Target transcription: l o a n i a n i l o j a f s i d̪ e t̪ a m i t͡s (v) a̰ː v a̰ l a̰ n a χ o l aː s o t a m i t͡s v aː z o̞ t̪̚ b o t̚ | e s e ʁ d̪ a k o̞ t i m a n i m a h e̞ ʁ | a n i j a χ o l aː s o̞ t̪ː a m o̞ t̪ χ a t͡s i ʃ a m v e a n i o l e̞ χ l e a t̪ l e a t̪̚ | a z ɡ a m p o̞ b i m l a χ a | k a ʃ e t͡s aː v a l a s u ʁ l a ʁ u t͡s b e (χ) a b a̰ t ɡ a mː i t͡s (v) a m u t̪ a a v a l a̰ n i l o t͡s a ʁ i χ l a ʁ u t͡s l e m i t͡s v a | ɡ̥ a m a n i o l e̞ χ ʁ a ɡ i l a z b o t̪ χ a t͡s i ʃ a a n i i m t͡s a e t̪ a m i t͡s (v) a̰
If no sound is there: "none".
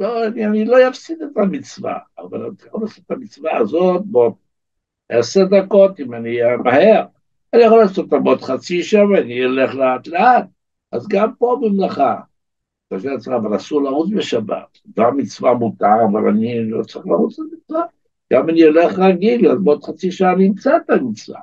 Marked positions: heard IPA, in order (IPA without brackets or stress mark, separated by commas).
v, ʃ, v, v